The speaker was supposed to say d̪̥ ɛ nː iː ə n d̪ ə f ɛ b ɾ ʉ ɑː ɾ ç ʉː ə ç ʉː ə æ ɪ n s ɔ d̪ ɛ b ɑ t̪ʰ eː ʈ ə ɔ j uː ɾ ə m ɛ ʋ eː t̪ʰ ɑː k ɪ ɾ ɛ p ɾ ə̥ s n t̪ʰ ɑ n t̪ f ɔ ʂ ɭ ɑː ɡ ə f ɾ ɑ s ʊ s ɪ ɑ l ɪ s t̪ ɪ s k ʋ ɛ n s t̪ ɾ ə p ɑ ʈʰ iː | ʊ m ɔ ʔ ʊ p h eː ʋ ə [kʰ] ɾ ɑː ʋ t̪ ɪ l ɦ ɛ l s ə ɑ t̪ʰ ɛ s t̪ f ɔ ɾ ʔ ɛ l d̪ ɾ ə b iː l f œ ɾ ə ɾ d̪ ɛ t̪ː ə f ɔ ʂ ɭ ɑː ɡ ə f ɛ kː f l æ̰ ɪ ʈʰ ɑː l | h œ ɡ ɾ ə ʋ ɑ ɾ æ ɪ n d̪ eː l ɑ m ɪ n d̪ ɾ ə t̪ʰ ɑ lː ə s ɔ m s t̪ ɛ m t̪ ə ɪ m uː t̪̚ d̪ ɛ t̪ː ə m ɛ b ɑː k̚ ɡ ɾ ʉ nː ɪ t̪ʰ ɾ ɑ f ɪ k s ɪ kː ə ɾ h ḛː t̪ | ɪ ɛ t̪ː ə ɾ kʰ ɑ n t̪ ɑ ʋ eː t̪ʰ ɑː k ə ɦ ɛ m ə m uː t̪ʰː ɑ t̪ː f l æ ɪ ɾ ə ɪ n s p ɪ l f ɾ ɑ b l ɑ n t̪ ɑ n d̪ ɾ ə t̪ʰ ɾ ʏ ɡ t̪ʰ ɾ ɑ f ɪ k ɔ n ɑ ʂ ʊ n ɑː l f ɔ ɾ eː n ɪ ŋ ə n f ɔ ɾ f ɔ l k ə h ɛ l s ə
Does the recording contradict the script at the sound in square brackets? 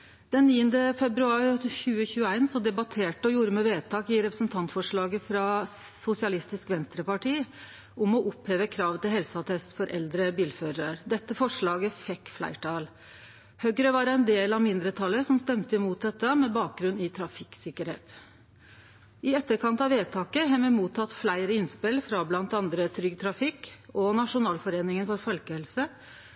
no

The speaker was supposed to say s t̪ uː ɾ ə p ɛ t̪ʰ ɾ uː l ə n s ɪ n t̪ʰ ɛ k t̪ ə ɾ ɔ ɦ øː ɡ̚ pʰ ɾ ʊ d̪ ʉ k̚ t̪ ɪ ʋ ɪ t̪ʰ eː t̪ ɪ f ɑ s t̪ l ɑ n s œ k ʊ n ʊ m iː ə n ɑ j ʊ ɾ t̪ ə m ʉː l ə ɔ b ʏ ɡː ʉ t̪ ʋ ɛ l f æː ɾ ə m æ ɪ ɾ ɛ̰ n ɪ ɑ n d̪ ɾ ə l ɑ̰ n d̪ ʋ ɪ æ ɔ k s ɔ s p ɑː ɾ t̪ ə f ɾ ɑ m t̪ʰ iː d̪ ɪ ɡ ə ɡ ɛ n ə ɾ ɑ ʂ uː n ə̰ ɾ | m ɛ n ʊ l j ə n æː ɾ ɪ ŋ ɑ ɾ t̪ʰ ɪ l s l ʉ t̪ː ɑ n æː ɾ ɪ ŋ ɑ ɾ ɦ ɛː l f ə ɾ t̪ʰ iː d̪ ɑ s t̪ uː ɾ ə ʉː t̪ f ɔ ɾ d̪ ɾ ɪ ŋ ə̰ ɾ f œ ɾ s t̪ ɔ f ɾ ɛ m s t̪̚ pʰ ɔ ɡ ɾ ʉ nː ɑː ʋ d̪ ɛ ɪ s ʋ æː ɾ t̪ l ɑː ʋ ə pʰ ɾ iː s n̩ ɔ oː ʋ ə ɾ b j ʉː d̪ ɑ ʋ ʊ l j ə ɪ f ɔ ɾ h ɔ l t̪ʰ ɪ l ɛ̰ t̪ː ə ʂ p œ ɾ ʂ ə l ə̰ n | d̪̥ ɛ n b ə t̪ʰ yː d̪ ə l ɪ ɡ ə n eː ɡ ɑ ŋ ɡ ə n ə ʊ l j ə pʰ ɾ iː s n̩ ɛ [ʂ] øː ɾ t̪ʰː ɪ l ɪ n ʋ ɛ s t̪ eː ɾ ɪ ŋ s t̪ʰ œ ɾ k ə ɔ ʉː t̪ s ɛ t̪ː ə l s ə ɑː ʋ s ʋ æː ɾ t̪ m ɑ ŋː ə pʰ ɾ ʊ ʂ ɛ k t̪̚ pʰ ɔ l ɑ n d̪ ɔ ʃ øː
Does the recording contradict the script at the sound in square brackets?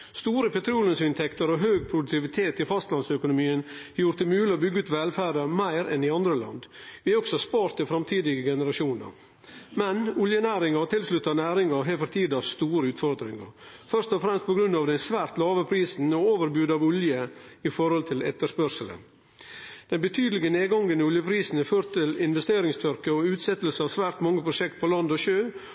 yes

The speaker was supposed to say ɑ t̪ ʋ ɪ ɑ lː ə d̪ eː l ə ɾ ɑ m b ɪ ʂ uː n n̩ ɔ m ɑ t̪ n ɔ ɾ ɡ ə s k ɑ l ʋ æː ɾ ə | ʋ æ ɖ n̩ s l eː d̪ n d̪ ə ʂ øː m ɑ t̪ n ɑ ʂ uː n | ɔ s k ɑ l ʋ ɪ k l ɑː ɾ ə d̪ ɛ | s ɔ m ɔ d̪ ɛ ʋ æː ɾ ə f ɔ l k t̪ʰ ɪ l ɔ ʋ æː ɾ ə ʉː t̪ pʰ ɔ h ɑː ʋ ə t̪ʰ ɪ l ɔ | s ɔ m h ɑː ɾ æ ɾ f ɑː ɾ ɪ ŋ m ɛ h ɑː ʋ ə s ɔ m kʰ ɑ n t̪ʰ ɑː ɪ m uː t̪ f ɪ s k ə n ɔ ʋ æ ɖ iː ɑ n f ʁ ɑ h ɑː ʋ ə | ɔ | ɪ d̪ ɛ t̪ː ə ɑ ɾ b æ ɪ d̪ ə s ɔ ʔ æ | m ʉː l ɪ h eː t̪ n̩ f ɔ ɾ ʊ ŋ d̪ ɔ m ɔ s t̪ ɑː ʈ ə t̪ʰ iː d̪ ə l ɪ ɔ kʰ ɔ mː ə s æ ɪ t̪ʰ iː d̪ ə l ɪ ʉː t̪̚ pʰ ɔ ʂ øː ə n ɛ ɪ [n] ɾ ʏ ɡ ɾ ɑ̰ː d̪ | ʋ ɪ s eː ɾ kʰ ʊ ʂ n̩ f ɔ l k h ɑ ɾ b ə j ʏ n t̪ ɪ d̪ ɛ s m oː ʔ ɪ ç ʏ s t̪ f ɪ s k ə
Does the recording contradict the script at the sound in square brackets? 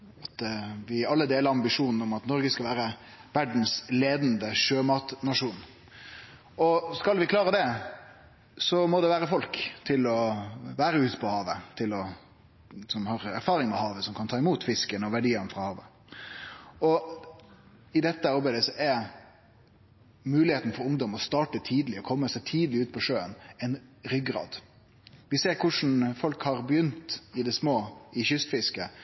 no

